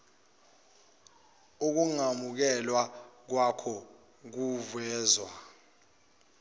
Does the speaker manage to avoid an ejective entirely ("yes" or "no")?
yes